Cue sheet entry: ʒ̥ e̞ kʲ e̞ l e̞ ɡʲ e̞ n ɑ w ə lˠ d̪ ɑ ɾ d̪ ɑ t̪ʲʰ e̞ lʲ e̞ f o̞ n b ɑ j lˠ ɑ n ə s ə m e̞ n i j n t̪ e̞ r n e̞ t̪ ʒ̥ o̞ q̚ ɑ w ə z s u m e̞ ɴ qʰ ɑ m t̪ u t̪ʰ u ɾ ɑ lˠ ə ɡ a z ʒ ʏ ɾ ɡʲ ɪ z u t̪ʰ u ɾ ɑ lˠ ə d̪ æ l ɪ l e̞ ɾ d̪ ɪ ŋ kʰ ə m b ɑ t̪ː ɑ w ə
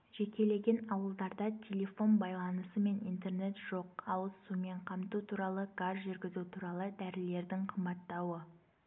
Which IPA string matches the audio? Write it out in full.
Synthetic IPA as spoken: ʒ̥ e̞ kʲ e̞ l e̞ ɡʲ e̞ n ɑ w ə lˠ d̪ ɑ ɾ d̪ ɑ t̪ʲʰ e̞ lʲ e̞ f o̞ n b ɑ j lˠ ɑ n ə s ə m e̞ n i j n t̪ e̞ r n e̞ t̪ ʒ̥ o̞ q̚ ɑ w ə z s u m e̞ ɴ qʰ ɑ m t̪ u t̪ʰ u ɾ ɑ lˠ ə ɡ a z ʒ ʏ ɾ ɡʲ ɪ z u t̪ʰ u ɾ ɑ lˠ ə d̪ æ ɾ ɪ l e̞ ɾ d̪ ɪ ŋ qʰ ə m b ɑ t̪ː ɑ w ə